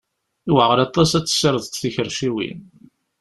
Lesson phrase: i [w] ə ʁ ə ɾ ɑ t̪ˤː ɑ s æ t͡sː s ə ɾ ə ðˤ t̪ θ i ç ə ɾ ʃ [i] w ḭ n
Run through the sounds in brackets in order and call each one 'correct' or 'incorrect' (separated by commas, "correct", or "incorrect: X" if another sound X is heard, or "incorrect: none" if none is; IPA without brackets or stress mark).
correct, correct